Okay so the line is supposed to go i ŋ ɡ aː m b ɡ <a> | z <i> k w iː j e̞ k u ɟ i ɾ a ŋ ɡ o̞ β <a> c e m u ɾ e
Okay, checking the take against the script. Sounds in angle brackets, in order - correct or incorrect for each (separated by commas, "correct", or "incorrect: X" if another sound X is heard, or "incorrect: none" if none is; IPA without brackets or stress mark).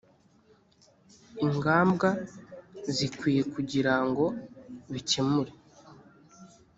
correct, correct, incorrect: i